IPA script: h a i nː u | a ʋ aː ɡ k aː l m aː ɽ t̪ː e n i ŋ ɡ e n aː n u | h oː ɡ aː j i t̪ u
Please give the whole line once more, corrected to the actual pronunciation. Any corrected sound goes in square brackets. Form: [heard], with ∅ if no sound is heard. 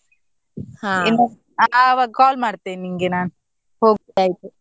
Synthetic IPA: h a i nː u | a ʋ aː ɡ k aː l m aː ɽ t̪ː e n i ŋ ɡ e n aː n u | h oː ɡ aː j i t̪ u